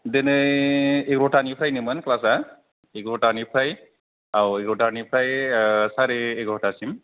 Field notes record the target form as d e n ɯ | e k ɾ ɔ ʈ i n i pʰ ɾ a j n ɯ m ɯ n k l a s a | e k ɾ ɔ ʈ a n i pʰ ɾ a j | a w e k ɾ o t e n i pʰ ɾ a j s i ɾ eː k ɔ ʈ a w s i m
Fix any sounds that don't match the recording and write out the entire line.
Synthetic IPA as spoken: d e n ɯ | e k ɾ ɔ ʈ a n i pʰ ɾ a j n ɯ m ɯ n k l a s a | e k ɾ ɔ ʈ a n i pʰ ɾ a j | a w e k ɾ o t a n i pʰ ɾ a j s a ɾ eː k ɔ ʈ a s i m